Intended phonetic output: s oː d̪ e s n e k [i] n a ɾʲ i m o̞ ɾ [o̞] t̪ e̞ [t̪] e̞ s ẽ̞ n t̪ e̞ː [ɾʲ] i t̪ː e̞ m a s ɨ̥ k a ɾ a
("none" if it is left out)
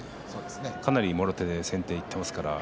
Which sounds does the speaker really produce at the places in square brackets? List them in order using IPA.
a, o̞, d̪, none

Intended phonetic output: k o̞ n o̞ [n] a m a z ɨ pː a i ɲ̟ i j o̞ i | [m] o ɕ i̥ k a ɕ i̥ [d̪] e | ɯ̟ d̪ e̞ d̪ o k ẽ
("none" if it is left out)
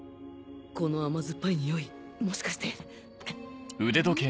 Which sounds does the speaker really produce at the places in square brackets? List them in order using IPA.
none, m, t̪

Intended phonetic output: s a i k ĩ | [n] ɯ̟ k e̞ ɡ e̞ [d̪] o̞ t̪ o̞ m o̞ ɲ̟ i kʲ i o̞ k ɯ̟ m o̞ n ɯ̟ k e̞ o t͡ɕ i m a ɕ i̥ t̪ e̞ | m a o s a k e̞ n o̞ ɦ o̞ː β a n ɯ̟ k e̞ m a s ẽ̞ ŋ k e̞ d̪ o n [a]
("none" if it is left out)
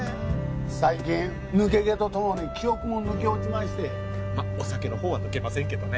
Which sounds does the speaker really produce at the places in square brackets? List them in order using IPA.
n, t̪, e

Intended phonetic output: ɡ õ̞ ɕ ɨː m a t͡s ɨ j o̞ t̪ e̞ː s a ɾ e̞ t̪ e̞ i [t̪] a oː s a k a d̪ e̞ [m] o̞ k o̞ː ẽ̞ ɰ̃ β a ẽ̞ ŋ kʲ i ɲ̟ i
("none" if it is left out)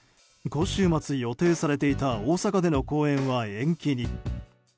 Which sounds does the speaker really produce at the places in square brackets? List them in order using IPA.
t̪, n

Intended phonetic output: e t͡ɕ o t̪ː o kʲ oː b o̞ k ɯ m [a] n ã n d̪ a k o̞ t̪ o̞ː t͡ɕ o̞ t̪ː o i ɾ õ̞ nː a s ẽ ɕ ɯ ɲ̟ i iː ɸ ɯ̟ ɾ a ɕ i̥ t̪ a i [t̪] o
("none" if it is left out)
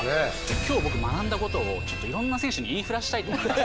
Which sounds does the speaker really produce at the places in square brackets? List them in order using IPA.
a, t̪

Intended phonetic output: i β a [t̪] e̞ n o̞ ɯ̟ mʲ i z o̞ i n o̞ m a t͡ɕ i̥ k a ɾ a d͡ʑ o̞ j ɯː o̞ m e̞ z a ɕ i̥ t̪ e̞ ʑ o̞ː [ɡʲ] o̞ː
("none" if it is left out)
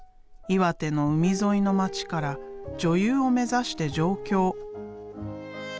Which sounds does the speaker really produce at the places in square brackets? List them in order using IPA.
t̪, kʲ

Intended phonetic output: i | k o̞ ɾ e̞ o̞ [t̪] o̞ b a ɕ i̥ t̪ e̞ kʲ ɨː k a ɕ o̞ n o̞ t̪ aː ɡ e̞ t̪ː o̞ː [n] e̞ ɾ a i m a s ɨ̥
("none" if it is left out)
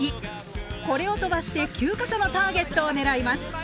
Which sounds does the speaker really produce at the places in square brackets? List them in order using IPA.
t̪, n

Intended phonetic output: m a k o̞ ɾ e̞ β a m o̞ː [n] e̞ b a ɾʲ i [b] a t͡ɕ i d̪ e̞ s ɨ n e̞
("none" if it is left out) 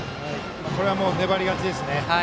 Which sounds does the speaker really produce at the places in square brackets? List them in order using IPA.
n, ɡ

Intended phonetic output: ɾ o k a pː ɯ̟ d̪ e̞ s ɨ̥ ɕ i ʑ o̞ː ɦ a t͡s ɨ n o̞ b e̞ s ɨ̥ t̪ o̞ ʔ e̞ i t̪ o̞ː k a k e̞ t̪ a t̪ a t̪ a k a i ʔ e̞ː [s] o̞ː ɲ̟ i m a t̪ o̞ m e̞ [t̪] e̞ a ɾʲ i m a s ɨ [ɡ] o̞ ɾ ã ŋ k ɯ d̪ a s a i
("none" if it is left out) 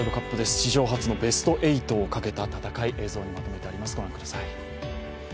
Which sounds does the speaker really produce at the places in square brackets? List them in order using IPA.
z, t̪, ɡ

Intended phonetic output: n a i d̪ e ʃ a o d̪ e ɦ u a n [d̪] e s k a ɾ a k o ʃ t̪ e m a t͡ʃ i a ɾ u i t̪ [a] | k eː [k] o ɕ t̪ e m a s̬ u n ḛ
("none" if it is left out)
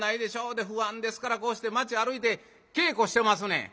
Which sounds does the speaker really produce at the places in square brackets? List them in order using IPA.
d̪, e, k

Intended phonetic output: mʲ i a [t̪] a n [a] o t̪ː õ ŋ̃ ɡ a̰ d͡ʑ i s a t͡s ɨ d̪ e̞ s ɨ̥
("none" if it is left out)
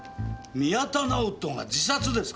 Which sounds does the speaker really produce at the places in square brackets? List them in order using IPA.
t̪, a

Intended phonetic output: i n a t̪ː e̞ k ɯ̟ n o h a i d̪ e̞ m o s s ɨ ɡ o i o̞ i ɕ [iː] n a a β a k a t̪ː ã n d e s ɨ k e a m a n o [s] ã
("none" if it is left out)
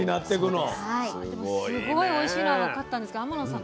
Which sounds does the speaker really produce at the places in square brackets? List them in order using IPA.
iː, s

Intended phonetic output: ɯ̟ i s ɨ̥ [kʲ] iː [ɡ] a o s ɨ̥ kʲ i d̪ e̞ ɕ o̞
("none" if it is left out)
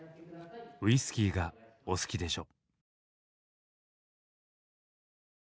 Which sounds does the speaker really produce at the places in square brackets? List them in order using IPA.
kʲ, ɡ

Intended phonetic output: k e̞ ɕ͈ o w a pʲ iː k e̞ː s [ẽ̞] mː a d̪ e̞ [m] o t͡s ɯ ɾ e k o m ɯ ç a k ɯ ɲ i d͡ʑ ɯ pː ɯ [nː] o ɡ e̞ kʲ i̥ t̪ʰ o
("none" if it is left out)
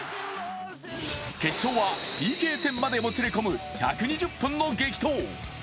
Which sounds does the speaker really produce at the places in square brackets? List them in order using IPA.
e̞, m, nː

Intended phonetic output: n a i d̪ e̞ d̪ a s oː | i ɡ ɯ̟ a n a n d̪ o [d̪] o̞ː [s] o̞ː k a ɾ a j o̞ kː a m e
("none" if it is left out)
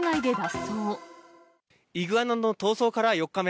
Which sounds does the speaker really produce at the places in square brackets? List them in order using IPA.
t̪, s

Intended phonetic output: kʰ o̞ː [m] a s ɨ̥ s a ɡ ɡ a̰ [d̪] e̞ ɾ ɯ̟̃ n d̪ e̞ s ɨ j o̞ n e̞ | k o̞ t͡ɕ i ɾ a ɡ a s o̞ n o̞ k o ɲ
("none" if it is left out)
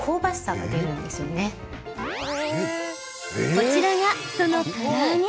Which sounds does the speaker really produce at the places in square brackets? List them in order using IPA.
b, d̪

